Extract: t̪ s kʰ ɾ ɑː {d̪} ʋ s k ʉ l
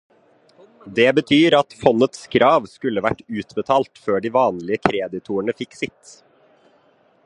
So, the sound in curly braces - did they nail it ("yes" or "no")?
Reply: no